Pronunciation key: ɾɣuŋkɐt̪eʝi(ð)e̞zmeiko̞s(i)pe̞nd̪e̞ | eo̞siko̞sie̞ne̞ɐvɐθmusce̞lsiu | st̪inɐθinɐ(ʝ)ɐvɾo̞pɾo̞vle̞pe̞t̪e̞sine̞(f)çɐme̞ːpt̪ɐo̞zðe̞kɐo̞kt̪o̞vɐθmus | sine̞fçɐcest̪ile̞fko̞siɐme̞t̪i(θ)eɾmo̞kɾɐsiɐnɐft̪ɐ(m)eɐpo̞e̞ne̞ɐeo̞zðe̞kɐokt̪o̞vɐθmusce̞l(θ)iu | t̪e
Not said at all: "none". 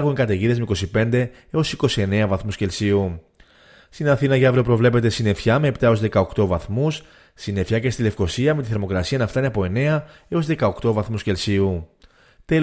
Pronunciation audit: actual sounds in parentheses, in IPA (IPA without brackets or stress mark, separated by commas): ð, i, ʝ, f, θ, n, s